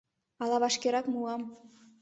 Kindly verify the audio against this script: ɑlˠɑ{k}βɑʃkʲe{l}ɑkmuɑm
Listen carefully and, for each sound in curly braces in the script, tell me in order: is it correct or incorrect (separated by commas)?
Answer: incorrect, incorrect